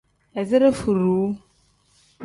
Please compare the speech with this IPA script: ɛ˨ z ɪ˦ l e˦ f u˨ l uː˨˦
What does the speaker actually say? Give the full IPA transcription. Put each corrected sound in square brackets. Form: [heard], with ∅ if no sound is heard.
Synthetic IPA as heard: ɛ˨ z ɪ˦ [ɾ] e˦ f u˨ [ɾ] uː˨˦